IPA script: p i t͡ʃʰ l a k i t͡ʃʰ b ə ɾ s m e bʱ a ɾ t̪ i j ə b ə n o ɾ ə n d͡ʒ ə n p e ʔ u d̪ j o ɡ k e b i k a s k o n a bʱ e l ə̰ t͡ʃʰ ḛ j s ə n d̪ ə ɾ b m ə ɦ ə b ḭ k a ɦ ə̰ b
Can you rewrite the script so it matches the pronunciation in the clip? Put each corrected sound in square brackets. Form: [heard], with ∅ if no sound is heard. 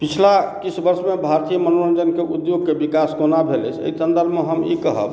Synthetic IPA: p i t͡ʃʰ l a k i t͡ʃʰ b ə ɾ s m e bʱ a ɾ t̪ i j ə [m] ə n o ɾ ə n d͡ʒ ə n [k] e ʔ u d̪ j o ɡ k e b i k a s k o n a bʱ e l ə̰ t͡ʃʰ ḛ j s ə n d̪ ə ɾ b m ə ɦ ə [m] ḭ k [ə] ɦ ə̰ b